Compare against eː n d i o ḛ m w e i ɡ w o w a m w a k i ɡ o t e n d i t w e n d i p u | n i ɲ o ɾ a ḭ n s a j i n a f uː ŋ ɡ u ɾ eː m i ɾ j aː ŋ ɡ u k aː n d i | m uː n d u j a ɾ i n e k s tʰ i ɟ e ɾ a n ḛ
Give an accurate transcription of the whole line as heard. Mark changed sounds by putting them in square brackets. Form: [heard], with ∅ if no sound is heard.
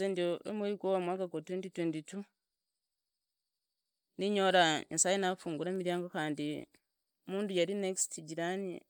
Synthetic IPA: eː n d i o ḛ m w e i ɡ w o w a m w a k [a] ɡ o t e n d i t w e n d i [t] u | n i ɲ o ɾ a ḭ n s a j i n a f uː ŋ ɡ u ɾ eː m i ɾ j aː ŋ ɡ [o] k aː n d i | m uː n d u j a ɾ i n e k s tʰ i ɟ [i] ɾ a n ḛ